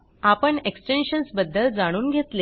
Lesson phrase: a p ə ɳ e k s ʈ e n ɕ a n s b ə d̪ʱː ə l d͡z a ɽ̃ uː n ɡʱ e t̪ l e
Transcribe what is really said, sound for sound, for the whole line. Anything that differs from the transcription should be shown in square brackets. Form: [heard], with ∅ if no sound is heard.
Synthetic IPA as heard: a p ə ɳ e k s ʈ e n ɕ [ə] n s b ə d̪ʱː ə l d͡z a ɽ̃ uː n ɡʱ e t̪ l e